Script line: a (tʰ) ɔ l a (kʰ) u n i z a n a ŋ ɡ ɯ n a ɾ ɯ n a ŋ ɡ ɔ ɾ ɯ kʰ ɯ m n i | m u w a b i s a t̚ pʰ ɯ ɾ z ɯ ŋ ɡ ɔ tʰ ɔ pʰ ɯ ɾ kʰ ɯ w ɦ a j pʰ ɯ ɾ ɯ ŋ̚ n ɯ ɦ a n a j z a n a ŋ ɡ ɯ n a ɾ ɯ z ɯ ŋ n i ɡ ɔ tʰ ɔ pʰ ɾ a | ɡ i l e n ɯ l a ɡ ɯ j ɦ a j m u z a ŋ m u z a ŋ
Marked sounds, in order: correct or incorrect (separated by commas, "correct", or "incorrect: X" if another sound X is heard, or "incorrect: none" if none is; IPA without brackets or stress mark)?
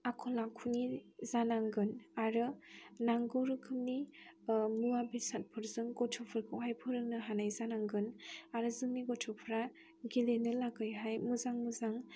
incorrect: kʰ, correct